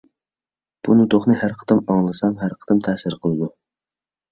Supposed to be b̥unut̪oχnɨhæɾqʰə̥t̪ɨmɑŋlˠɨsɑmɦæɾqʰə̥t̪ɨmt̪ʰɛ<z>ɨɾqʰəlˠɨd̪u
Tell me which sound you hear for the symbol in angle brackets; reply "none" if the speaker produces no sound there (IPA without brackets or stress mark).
s